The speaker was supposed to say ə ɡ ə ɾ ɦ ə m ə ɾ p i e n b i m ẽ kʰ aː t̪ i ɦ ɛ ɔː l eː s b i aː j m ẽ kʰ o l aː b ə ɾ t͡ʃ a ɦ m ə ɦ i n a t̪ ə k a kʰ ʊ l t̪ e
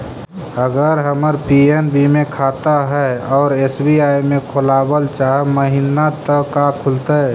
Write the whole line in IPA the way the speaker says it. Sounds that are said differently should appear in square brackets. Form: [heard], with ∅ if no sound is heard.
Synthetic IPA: ə ɡ ə ɾ ɦ ə m ə ɾ p i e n b i m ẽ kʰ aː t̪ [a] ɦ ɛ ɔː [ɾ] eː s b i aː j m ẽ kʰ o l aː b ə [l] t͡ʃ a ɦ m ə ɦ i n a t̪ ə k a kʰ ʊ l t̪ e